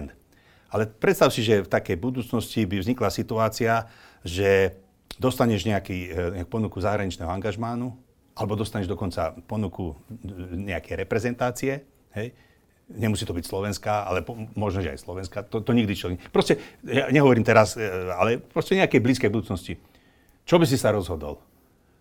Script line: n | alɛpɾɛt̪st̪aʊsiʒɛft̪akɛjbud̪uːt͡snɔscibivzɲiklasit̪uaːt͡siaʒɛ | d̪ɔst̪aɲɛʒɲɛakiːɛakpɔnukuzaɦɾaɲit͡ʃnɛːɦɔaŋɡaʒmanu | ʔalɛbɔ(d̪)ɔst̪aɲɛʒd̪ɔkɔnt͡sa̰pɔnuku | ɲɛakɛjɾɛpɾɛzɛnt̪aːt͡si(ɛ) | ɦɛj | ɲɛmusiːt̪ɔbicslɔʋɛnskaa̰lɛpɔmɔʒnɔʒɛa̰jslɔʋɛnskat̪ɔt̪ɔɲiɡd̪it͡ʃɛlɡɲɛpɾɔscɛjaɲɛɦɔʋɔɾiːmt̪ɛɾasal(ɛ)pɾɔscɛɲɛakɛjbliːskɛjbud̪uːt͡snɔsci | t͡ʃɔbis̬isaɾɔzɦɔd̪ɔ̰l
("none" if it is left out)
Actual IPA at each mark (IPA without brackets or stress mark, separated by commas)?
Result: d̪, ɛ, ɛ